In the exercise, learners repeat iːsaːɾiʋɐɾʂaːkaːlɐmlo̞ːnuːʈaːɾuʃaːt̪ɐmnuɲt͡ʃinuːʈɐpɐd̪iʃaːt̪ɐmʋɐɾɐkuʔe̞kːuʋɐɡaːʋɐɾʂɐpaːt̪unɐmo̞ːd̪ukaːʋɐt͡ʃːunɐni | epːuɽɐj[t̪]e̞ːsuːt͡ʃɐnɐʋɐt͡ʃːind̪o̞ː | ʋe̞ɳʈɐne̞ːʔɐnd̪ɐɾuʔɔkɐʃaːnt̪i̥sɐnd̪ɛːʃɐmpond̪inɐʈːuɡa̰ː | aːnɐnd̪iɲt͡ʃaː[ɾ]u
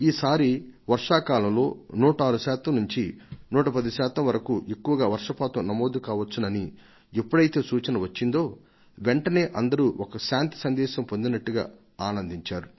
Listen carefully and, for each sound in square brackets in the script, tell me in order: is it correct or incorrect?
correct, correct

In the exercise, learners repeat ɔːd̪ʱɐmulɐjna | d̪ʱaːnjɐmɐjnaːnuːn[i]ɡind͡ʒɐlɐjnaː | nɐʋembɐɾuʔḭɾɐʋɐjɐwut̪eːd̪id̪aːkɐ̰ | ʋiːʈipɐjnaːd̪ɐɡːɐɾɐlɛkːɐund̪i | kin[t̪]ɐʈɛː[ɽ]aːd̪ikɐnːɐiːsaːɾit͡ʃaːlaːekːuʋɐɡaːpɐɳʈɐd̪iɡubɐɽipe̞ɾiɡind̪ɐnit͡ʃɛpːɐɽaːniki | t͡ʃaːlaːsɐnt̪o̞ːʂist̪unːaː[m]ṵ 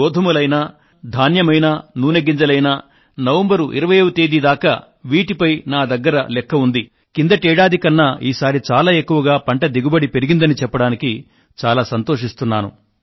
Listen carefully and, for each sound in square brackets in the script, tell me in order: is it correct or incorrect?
incorrect, incorrect, correct, incorrect

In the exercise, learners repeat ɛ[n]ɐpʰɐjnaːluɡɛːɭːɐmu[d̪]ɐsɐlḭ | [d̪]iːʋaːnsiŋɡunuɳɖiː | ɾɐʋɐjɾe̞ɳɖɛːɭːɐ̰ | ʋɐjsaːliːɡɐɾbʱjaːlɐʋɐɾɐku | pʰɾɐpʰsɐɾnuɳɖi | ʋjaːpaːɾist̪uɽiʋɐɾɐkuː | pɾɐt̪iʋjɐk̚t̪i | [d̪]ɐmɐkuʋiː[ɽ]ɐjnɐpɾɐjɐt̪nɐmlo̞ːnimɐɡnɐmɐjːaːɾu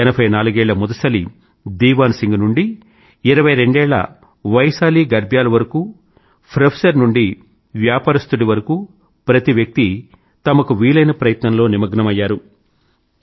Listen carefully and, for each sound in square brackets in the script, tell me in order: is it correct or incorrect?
correct, correct, correct, incorrect, incorrect

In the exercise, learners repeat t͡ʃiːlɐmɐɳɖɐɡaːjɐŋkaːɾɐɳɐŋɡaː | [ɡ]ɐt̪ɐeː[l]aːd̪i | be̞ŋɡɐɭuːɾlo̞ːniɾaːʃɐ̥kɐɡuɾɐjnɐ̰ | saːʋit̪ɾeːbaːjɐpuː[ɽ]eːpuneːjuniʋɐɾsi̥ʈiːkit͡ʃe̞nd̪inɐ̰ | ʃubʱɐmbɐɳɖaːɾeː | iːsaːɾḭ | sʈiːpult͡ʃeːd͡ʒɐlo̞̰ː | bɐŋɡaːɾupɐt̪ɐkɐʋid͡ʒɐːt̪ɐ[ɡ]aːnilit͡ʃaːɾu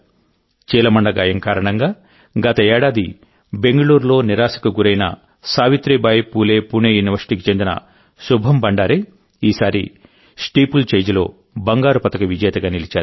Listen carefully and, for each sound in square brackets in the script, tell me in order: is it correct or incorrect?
correct, incorrect, incorrect, correct

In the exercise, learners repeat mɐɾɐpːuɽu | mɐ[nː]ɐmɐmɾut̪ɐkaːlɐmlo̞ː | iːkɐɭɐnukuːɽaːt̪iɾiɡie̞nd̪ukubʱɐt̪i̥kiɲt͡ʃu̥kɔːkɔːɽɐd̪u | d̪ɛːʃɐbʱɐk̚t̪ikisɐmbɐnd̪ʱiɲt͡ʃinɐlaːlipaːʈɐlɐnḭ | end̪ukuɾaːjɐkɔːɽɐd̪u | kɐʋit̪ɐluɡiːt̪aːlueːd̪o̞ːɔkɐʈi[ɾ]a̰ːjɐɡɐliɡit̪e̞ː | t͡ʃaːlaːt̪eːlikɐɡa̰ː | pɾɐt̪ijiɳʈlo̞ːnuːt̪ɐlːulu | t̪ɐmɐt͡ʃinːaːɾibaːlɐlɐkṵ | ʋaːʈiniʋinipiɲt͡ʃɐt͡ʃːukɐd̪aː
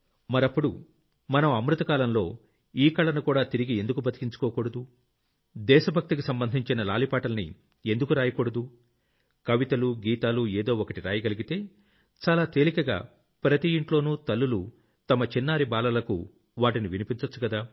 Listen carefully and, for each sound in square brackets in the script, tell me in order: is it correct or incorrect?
incorrect, correct

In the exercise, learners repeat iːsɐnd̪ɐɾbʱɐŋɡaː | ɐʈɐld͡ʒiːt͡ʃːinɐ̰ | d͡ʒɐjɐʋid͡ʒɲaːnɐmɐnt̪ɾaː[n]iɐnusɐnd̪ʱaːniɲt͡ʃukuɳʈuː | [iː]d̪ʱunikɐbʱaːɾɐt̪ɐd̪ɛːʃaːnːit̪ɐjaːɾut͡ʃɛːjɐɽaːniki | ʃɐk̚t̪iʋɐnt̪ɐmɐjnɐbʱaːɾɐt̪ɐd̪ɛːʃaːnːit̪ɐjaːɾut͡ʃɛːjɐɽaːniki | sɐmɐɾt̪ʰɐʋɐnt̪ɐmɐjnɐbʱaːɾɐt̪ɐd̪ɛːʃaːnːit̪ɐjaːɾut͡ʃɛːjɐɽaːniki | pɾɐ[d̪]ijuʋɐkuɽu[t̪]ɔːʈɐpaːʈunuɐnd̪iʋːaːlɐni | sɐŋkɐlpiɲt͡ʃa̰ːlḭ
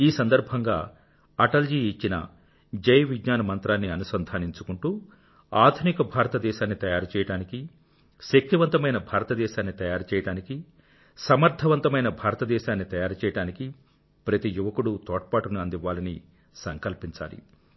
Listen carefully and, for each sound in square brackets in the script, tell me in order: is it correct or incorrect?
incorrect, incorrect, incorrect, correct

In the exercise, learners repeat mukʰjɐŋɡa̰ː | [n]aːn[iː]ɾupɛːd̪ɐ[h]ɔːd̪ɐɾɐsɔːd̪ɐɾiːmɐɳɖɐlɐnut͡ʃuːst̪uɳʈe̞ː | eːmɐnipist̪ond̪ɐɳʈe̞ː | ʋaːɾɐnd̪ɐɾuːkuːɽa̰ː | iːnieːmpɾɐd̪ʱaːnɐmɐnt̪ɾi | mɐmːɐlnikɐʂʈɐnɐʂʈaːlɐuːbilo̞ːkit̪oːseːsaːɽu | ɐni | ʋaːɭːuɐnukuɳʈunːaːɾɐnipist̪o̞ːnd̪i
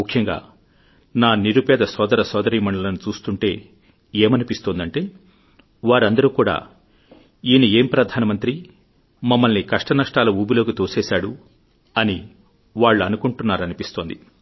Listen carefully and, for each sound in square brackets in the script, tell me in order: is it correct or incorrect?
correct, incorrect, incorrect

